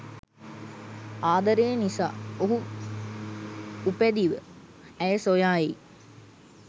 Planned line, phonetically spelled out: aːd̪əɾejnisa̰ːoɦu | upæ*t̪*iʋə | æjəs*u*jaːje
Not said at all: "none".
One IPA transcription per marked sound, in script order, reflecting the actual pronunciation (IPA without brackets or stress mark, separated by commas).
d̪, o